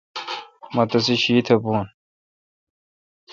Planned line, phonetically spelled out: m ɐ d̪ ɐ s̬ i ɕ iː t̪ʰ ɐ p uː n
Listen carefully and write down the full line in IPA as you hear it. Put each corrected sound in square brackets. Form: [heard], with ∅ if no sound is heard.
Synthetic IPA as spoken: m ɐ [t̪] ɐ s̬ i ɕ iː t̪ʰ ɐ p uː n